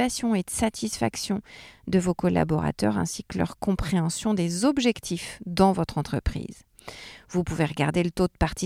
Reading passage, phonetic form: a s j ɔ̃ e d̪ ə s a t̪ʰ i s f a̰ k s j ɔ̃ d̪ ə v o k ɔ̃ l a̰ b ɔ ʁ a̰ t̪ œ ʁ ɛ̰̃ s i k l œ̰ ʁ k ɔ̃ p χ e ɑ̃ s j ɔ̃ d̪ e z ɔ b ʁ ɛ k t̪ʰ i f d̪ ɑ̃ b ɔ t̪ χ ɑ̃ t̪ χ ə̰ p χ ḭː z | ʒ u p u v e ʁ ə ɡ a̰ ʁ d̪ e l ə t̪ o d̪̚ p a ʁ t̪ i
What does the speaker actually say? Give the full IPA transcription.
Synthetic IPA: a s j ɔ̃ e d̪ ə s a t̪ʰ i s f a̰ k s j ɔ̃ d̪ ə v o k ɔ l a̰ b ɔ ʁ a̰ t̪ œ ʁ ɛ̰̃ s i k l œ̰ ʁ k ɔ̃ p χ e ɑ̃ s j ɔ̃ d̪ e z ɔ b ʒ ɛ k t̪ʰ i f d̪ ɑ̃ v ɔ t̪ χ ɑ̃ t̪ χ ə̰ p χ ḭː z | v u p u v e ʁ ə ɡ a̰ ʁ d̪ e l ə t̪ o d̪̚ p a ʁ t̪ i